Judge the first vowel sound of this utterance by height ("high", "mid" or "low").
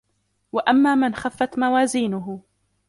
low